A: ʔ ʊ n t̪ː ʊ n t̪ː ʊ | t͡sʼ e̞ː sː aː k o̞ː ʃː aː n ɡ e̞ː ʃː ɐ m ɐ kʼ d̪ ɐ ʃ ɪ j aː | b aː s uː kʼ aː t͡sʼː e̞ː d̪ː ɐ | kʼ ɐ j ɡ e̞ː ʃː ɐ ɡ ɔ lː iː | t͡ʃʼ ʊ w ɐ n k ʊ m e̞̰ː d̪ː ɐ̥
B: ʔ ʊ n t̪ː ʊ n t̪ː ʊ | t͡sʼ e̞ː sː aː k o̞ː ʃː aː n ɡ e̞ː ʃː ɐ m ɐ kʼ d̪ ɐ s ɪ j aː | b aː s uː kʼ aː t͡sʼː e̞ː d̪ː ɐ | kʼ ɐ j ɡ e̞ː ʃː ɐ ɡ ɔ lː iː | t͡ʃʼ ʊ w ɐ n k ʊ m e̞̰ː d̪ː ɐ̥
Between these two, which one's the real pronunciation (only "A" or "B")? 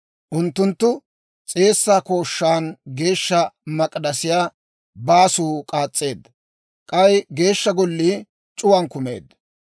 B